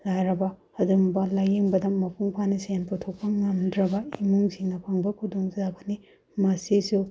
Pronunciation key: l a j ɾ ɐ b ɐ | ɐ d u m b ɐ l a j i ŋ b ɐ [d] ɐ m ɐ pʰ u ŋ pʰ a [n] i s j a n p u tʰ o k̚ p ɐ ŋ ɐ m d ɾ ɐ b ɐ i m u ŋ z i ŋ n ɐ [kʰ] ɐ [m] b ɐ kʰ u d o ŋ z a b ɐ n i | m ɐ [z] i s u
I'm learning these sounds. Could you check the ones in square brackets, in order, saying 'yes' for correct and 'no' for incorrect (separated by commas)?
yes, yes, no, no, no